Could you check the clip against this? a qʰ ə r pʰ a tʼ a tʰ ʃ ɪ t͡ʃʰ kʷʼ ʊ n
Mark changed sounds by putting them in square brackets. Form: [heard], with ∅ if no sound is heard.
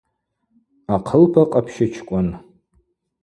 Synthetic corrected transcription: a qʰ ə [l] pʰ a [qʼ] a [pʰ] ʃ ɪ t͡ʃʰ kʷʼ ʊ n

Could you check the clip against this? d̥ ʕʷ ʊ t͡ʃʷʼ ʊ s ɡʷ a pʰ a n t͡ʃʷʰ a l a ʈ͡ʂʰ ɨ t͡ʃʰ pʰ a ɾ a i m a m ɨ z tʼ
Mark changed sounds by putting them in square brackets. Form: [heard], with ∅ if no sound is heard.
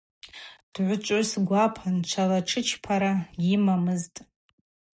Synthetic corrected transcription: d̥ ʕʷ ʊ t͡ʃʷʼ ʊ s ɡʷ a pʰ a n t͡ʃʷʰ a l a ʈ͡ʂʰ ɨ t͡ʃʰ pʰ a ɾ a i m a m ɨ z tʼ

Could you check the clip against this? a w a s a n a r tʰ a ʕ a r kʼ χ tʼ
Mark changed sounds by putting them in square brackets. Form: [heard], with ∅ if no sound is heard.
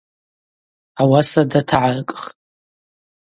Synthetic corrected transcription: a w a s a [d] a [∅] tʰ a ʕ a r kʼ χ tʼ

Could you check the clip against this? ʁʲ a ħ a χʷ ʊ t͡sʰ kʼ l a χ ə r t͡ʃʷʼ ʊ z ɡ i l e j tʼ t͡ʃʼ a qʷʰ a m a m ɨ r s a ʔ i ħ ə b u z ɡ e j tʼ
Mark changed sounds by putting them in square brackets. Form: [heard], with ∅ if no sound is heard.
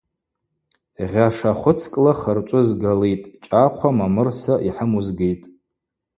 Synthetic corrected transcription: ʁʲ a [ʂ] a χʷ ʊ t͡sʰ kʼ l a χ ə r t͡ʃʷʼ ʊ z ɡ [a] l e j tʼ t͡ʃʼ a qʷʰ a m a m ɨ r s a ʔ i ħ ə [m] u z ɡ e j tʼ

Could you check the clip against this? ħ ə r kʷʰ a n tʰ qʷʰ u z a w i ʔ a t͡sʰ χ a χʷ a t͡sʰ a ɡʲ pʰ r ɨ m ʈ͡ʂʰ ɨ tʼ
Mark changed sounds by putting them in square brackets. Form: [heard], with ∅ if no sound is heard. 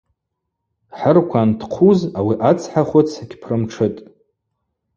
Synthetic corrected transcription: ħ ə r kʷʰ a n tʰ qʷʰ u z a w i ʔ a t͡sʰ [ħ] a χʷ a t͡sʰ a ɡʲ pʰ r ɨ m ʈ͡ʂʰ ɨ tʼ

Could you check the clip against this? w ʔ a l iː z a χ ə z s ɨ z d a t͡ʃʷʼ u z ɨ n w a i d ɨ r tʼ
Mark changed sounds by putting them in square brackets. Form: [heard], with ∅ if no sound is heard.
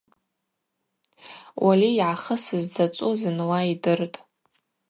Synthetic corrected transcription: w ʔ a l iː [ʕ] a χ ə [∅] s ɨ z [d͡z] a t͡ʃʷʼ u z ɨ n w a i d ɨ r tʼ

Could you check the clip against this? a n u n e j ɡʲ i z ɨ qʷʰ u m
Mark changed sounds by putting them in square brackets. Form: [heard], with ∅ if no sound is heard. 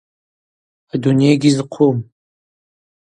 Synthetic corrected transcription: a [d] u n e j ɡʲ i z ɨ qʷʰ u m

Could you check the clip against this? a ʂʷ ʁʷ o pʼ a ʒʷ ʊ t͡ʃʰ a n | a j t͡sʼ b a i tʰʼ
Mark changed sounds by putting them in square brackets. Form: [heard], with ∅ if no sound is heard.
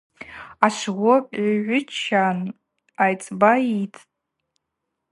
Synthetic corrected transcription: a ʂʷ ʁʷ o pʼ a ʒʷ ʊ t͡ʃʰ a n | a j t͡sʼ b a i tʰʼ

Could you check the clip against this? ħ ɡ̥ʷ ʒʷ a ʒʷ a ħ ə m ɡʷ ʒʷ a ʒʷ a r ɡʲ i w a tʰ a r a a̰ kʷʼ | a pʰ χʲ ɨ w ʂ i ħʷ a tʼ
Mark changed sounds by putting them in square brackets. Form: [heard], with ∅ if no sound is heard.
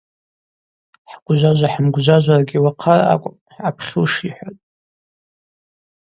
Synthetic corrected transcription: ħ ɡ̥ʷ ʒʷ a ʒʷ a ħ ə m ɡʷ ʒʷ a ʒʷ a r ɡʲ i w a [qʰ] a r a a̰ kʷʼ | a pʰ χʲ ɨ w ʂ i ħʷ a tʼ

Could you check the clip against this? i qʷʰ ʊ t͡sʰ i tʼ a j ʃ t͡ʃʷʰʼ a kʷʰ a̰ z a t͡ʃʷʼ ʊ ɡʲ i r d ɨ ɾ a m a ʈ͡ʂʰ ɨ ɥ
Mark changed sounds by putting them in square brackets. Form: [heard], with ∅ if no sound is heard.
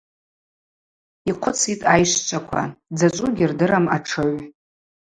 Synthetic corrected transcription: i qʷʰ ʊ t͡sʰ i tʼ a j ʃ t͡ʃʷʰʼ a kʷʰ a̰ [d͡z] a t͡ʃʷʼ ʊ ɡʲ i r d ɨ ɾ a m a ʈ͡ʂʰ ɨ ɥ

